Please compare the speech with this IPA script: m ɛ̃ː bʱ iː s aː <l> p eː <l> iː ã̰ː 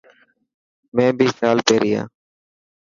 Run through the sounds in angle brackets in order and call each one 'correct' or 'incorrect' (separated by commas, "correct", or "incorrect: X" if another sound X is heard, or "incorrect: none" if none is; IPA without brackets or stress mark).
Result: correct, incorrect: ɾ